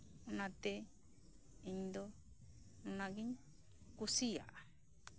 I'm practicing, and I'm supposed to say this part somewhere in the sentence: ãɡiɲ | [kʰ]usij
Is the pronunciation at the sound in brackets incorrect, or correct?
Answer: incorrect